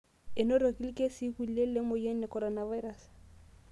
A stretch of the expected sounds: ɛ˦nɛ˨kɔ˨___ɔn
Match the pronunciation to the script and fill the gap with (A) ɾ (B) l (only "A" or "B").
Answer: A